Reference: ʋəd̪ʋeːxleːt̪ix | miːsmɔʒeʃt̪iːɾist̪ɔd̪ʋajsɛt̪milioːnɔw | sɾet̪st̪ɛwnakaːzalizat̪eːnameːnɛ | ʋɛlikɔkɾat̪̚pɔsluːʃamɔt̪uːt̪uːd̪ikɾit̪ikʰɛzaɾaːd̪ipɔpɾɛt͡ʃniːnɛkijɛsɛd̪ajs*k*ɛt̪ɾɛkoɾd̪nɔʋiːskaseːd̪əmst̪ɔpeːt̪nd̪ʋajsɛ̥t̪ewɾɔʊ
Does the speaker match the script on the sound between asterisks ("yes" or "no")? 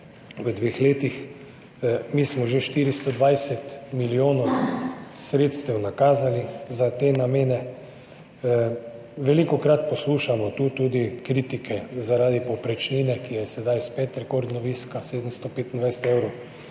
no